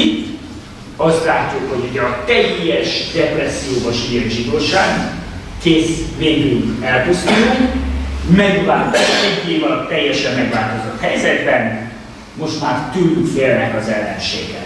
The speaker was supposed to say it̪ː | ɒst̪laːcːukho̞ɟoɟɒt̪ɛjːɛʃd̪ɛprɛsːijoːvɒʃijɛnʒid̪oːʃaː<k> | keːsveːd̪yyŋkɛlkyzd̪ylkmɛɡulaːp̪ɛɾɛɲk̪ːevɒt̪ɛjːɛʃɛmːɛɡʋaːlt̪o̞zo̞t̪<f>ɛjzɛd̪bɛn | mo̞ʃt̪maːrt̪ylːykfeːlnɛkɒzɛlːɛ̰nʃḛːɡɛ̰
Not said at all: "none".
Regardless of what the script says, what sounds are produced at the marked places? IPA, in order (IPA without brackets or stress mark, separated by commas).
ɡ, h